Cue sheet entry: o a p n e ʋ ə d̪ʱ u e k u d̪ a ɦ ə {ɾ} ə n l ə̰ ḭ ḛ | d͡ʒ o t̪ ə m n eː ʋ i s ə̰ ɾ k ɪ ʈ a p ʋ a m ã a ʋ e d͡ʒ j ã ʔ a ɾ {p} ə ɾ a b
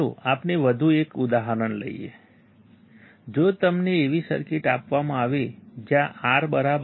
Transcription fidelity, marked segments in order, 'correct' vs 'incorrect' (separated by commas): correct, incorrect